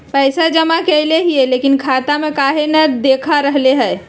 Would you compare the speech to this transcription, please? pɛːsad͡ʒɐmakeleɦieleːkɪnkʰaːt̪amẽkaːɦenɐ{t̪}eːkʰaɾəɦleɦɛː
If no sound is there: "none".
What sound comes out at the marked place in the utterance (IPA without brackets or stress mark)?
d̪